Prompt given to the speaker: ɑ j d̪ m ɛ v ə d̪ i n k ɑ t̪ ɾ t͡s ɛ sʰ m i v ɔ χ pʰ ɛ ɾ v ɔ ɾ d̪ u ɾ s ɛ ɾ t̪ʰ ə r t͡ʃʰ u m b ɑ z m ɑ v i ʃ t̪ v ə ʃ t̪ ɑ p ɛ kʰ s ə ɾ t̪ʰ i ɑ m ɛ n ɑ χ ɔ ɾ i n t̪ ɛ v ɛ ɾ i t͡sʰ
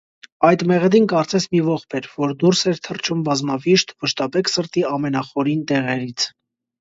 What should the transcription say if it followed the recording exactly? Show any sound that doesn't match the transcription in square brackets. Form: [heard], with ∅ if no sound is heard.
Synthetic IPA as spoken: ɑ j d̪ m ɛ [ʁ] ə d̪ i n k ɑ [∅] ɾ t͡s ɛ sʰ m i v ɔ χ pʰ ɛ ɾ v ɔ ɾ d̪ u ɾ s ɛ ɾ t̪ʰ ə r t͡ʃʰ u m b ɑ z m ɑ v i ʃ t̪ v ə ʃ t̪ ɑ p ɛ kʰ s ə ɾ [t̪] i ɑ m ɛ n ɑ χ ɔ ɾ i n t̪ ɛ [ʁ] ɛ ɾ i t͡sʰ